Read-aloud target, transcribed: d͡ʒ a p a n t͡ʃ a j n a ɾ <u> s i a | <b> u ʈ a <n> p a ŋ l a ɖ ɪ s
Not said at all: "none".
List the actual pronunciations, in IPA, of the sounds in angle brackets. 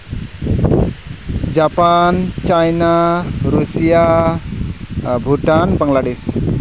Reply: u, b, n

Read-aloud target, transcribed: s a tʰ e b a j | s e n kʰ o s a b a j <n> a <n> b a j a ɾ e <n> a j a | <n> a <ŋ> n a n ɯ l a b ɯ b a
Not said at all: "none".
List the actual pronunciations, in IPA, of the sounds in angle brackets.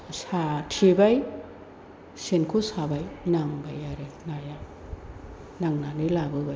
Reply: n, ŋ, n, n, ŋ

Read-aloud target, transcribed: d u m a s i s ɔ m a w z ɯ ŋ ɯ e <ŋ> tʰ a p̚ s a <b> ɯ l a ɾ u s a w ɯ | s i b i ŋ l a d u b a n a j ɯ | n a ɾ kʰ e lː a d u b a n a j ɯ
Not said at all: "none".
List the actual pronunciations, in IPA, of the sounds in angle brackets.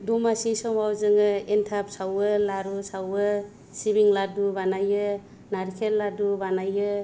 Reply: n, w

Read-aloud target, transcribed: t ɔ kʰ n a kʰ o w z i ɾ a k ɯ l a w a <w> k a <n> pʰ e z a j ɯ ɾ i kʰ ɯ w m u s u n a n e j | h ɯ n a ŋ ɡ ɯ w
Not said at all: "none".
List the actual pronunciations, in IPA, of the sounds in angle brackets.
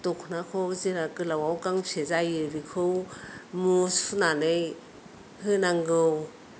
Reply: w, ŋ

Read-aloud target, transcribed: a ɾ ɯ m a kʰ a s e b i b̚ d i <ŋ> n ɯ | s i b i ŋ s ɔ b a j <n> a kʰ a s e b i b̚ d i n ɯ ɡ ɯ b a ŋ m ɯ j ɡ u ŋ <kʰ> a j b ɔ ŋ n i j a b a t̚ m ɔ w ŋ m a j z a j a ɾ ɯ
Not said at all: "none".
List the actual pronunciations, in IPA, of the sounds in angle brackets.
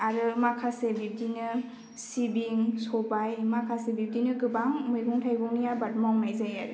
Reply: none, m, tʰ

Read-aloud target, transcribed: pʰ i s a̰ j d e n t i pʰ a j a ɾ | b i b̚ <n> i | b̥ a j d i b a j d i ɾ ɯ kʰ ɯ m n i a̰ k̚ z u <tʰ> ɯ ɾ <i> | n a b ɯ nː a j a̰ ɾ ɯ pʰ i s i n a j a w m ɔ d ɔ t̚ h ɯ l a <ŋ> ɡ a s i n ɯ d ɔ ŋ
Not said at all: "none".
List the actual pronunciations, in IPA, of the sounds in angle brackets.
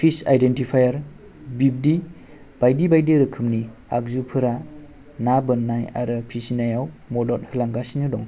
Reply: d, pʰ, a, ŋ

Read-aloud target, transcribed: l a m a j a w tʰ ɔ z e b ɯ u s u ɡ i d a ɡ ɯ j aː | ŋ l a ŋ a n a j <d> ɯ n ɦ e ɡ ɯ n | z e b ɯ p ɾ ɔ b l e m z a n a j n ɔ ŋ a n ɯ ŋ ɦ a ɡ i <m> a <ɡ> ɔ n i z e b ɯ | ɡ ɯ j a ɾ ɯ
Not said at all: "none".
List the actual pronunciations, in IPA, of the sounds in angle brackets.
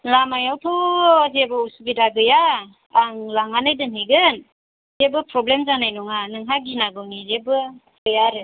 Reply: d, n, ɡ

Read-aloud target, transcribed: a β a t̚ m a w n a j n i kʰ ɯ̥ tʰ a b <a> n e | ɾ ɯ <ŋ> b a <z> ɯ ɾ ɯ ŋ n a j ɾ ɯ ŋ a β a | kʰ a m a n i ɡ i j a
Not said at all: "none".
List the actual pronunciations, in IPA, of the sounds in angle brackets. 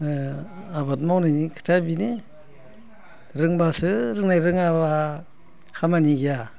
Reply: i, ŋ, s

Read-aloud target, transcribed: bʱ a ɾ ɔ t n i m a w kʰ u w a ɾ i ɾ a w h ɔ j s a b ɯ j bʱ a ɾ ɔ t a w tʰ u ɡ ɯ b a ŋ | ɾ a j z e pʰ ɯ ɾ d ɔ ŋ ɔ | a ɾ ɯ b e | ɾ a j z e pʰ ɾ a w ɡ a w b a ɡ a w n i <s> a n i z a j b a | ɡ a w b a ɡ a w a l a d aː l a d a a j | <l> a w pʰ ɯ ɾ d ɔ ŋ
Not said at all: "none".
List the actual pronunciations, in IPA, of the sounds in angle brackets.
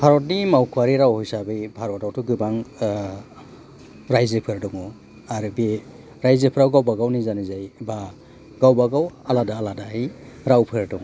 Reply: z, ɾ

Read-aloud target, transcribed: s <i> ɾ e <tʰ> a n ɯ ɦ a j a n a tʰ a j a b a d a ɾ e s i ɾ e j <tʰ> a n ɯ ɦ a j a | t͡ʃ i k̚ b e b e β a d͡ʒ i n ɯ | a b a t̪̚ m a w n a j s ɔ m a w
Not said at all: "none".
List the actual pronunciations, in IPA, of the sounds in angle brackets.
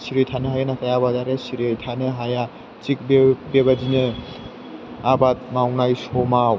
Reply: i, tʰ, tʰ

